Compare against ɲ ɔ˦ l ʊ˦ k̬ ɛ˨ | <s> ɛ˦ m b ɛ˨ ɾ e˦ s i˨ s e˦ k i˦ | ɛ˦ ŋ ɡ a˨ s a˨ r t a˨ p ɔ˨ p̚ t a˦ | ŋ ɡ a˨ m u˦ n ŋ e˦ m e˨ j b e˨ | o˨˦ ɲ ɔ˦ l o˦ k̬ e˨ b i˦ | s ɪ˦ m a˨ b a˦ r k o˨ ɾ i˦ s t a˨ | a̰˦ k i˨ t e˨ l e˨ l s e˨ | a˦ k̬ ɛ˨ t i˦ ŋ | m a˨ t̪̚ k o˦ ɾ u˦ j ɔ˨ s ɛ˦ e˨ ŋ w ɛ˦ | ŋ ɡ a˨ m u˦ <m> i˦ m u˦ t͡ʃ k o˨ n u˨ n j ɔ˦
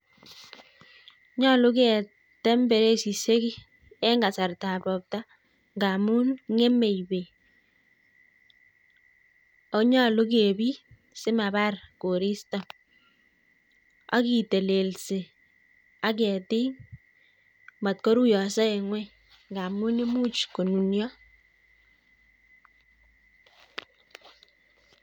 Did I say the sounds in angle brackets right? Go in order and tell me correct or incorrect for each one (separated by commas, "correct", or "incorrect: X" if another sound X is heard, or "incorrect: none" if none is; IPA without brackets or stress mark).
incorrect: t, incorrect: n